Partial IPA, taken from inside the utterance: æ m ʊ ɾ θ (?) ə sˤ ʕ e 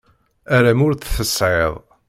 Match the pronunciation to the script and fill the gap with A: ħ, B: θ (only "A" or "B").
B